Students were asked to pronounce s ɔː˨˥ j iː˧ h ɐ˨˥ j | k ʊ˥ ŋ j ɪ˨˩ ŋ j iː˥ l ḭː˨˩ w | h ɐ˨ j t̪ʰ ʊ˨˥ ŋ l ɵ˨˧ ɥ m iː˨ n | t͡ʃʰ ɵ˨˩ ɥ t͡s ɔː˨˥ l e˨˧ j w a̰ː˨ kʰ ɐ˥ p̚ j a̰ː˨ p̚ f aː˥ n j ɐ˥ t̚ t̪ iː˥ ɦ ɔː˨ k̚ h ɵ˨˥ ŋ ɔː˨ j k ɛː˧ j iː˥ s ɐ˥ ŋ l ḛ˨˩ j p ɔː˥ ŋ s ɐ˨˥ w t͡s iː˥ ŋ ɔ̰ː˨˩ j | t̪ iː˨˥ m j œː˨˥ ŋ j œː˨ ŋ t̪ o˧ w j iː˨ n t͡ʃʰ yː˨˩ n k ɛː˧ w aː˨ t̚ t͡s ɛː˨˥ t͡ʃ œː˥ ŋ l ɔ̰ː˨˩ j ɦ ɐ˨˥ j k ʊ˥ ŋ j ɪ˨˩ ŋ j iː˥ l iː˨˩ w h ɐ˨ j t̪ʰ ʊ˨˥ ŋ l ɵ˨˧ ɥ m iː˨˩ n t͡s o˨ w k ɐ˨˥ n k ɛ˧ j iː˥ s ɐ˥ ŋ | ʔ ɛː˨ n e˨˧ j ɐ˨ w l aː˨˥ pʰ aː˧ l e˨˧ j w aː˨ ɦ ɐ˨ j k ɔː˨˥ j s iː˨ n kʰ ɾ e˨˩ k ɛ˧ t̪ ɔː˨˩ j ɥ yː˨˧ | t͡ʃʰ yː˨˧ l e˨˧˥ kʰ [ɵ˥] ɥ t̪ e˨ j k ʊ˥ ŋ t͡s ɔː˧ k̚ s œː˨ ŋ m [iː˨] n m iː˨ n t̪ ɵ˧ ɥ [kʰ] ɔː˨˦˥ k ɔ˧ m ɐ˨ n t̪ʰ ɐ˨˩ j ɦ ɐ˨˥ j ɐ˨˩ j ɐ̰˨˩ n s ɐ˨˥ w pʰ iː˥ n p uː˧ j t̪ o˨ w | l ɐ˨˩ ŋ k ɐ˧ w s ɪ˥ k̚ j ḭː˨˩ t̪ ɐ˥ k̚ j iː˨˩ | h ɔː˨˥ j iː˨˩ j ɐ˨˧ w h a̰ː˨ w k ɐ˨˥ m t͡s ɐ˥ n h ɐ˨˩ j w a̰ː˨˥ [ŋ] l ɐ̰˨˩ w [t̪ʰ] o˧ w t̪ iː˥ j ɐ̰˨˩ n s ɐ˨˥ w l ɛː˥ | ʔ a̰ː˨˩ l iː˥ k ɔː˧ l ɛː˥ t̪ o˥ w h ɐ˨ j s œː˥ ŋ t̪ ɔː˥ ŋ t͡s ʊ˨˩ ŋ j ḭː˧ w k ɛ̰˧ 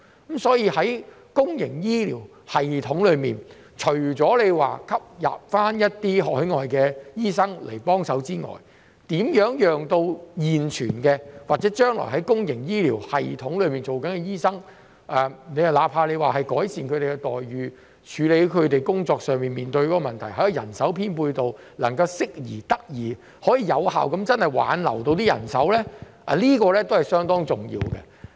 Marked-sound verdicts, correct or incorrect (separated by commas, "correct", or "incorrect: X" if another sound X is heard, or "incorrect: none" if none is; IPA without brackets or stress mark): incorrect: ɵ˨˧, correct, incorrect: k, incorrect: n, incorrect: t̪